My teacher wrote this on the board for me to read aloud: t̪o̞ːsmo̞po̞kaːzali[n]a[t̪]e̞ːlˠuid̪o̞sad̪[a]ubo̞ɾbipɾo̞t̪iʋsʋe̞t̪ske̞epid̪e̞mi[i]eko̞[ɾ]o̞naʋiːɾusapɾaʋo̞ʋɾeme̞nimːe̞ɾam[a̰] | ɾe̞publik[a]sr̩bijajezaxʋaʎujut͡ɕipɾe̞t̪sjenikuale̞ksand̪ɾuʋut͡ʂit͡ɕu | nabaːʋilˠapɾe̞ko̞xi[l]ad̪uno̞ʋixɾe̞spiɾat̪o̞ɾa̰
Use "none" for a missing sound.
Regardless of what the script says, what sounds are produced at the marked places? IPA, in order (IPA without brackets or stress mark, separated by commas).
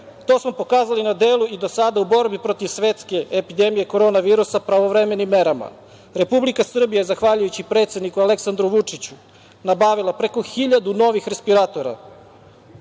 n, d̪, a, j, ɾ, a̰, a, ʎ